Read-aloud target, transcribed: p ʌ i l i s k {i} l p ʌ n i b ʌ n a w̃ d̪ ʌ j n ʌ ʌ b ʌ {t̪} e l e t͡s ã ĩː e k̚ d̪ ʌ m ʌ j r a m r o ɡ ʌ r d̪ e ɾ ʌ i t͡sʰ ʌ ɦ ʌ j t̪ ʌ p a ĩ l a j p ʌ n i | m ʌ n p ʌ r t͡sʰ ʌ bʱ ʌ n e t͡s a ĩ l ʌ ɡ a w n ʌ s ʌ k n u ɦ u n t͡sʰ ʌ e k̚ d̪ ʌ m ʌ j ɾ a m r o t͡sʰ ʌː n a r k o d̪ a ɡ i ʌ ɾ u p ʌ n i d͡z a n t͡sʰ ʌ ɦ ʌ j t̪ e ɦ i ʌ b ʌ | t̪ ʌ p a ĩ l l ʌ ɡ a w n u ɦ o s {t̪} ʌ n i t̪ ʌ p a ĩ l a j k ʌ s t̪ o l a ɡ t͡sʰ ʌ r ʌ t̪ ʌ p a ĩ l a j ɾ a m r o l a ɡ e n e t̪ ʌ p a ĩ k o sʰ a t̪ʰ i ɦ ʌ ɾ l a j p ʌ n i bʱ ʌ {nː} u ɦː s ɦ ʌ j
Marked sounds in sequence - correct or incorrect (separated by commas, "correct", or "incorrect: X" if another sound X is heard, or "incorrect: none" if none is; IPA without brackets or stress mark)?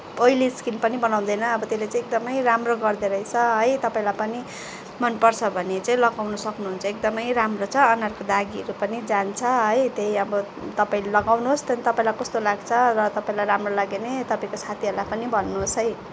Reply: correct, correct, correct, correct